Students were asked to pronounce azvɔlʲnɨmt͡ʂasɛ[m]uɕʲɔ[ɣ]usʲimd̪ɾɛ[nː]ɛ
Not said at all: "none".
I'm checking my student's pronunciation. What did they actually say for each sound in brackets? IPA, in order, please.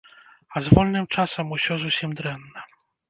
m, z, nː

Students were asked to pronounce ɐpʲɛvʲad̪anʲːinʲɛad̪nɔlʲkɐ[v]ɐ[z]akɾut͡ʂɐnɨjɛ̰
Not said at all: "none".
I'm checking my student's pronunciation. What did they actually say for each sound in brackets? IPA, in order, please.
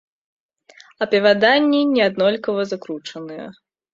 v, z

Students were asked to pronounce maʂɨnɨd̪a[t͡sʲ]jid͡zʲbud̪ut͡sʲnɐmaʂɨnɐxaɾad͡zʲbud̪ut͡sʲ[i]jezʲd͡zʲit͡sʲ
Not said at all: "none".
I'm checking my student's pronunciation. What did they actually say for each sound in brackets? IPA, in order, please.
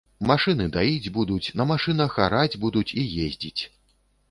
none, i

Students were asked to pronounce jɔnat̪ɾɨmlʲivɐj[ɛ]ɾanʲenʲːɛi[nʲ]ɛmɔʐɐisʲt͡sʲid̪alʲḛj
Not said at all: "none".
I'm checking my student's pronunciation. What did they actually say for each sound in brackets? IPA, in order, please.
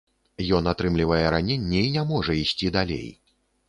ɛ, nʲ

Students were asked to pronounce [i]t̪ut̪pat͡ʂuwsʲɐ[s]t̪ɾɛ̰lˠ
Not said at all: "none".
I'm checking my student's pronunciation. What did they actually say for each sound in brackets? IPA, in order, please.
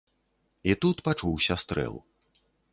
i, s

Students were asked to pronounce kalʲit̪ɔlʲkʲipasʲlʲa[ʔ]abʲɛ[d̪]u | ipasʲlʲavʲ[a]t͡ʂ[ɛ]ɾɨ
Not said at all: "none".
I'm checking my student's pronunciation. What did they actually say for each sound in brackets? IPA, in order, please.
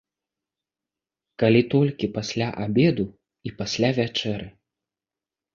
ʔ, d̪, a, ɛ

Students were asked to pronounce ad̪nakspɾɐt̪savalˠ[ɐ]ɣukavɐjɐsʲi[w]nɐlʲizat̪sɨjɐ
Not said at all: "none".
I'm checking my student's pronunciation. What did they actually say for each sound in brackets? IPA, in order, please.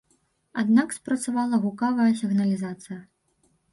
ɐ, ɣ

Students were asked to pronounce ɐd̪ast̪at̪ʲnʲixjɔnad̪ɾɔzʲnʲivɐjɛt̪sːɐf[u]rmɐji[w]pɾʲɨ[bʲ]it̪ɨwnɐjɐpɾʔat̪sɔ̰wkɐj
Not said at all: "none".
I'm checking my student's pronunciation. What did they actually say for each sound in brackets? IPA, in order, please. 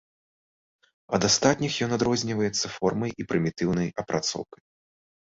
ɔ, none, mʲ

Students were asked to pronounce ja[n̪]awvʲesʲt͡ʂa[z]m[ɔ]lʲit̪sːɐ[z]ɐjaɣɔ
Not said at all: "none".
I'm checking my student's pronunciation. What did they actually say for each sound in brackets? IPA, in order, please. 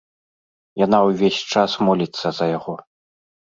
n̪, s, ɔ, z

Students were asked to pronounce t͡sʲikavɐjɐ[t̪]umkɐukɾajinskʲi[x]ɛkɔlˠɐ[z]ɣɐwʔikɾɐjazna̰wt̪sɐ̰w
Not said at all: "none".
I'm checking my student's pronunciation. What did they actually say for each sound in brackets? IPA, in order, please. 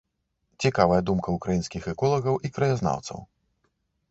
d̪, x, none

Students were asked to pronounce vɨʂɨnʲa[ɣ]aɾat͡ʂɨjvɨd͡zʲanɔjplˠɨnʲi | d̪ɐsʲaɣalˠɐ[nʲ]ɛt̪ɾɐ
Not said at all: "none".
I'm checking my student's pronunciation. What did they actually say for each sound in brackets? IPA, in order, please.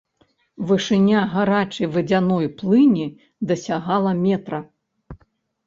ɣ, mʲ

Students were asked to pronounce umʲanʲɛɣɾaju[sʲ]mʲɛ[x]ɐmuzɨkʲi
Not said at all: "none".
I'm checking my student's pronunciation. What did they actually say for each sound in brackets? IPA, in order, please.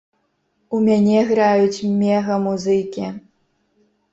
t͡sʲ, ɣ

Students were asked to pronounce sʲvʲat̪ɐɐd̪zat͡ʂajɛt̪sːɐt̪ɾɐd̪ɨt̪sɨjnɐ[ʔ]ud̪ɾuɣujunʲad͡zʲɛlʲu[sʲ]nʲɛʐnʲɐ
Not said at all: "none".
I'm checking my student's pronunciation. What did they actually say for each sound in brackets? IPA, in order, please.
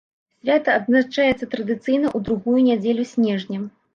ʔ, sʲ

